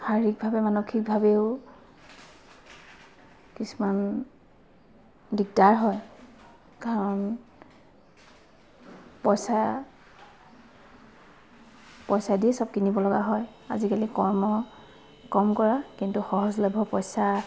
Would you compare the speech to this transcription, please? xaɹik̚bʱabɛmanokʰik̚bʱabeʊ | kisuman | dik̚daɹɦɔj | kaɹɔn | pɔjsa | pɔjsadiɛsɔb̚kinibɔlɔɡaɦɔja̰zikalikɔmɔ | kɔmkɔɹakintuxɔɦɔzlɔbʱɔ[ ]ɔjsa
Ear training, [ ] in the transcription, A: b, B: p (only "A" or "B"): B